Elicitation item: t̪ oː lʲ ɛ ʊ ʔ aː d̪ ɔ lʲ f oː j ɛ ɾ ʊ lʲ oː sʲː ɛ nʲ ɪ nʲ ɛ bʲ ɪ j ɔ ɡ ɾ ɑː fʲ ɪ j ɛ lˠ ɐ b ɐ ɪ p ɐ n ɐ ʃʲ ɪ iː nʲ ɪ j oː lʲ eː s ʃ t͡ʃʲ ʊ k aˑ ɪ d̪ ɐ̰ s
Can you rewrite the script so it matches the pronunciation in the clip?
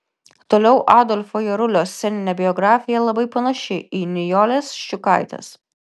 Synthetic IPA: t̪ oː lʲ ɛ ʊ ʔ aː d̪ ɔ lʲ f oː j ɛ ɾ ʊ lʲ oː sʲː ɛ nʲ ɪ nʲ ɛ bʲ ɪ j ɔ ɡ ɾ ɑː fʲ ɪ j ɛ lˠ ɐ b ɐ ɪ p ɐ n ɐ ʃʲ ɪ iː nʲ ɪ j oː lʲ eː s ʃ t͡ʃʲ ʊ k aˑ ɪ t̪ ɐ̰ s

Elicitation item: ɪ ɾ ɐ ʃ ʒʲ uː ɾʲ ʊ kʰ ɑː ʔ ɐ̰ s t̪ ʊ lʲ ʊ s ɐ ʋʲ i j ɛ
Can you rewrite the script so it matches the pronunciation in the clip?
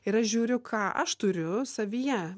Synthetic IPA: ɪ ɾ ɐ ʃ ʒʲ uː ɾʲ ʊ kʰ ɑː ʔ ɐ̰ ʃ t̪ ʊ ɾʲ ʊ s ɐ ʋʲ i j ɛ

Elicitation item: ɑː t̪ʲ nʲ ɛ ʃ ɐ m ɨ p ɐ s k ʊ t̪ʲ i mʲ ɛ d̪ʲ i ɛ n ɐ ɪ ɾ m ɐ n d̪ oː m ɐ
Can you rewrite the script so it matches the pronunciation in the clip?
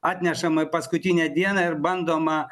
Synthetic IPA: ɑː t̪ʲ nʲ ɛ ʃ ɐ m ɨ p ɐ s k ʊ t̪ʲ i nʲ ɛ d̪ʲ i ɛ n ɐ ɪ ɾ b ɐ n d̪ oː m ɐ

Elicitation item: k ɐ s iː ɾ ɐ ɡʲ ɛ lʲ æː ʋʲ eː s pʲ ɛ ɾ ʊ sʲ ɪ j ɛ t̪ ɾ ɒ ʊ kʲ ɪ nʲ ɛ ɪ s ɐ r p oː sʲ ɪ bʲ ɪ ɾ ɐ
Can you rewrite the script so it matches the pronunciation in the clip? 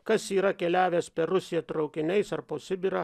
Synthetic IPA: k ɐ s iː ɾ ɐ kʲ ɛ lʲ æː ʋʲ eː s pʲ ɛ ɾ ʊ sʲ ɪ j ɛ t̪ ɾ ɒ ʊ kʲ ɪ nʲ ɛ ɪ s ɐ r p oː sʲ ɪ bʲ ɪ ɾ ɐ

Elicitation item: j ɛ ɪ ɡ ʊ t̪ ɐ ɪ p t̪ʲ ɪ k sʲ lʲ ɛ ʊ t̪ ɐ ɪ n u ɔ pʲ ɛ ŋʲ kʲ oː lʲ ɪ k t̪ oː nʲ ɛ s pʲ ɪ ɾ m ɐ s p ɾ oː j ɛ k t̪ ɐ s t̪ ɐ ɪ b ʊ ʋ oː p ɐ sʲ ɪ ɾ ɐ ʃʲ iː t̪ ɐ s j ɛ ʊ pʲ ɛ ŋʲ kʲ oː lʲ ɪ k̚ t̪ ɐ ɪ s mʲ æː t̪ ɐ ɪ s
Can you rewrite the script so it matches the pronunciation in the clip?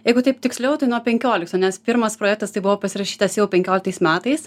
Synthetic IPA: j ɛ ɪ ɡ ʊ t̪ ɐ ɪ p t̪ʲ ɪ k sʲ lʲ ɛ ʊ t̪ ɐ ɪ n u ɔ pʲ ɛ ŋʲ kʲ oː lʲ ɪ k t̪ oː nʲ ɛ s pʲ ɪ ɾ m ɐ s p ɾ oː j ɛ k t̪ ɐ s t̪ ɐ ɪ b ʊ ʋ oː p ɐ sʲ ɪ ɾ ɐ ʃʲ iː t̪ ɐ s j ɛ ʊ pʲ ɛ ŋʲ kʲ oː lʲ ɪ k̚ t̪ ɐ ɪ s mʲ æː t̪ ɐ ɪ s

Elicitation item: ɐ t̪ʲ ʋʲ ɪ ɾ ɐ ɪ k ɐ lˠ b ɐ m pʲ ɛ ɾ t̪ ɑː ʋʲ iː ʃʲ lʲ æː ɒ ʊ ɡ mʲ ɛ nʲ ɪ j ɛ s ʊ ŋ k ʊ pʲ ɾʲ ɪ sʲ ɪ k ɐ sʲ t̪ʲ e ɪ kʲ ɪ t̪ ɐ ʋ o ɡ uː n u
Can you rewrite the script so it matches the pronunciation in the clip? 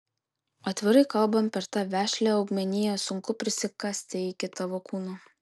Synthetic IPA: ɐ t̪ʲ ʋʲ ɪ ɾ ɐ ɪ k ɐ lˠ b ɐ m pʲ ɛ ɾ t̪ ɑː ʋʲ æː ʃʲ lʲ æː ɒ ʊ ɡ mʲ ɛ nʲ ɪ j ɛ s ʊ ŋ k ʊ pʲ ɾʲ ɪ sʲ ɪ k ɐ sʲ t̪ʲ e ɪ kʲ ɪ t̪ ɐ ʋ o k uː n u

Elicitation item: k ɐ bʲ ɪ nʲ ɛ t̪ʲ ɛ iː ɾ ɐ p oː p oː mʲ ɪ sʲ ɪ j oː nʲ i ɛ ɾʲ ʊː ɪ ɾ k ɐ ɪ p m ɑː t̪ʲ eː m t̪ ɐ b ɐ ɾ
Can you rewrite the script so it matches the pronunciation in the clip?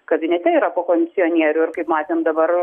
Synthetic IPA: k ɐ bʲ ɪ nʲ ɛ t̪ʲ ɛ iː ɾ ɐ p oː k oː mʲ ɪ sʲ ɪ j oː nʲ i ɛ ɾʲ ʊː ɪ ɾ k ɐ ɪ p m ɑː t̪ʲ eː m d̪ ɐ b ɐ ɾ

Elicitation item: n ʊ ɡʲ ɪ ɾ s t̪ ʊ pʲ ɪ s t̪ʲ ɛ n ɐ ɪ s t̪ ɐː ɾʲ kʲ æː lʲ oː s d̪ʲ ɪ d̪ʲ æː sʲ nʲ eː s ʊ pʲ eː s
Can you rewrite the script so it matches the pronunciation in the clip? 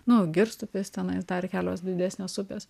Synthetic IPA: n ʊ ɡʲ ɪ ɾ s t̪ ʊ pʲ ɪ s t̪ʲ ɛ n ɐ ɪ s d̪ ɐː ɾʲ kʲ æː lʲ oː s d̪ʲ ɪ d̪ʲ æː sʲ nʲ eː s ʊ pʲ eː s

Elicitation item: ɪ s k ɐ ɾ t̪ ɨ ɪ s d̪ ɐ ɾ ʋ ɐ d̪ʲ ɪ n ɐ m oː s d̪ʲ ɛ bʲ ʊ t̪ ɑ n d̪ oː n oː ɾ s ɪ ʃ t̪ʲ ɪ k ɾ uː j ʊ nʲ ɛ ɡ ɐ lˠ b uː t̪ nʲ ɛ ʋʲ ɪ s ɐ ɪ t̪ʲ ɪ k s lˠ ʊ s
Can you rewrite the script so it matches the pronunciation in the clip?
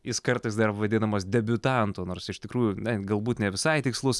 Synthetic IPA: ɪ s k ɐ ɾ t̪ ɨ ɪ s d̪ ɐ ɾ ʋ ɐ d̪ʲ ɪ n ɐ m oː s d̪ʲ ɛ bʲ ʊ t̪ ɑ n t̪ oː n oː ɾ s ɪ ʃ t̪ʲ ɪ k ɾ uː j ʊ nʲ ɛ ɡ ɐ lˠ b uː t̪ nʲ ɛ ʋʲ ɪ s ɐ ɪ t̪ʲ ɪ k s lˠ ʊ s

